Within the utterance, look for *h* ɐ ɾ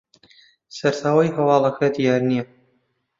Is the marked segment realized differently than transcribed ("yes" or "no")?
yes